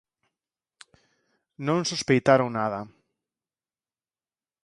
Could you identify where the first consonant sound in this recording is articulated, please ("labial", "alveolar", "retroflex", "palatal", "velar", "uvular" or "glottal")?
alveolar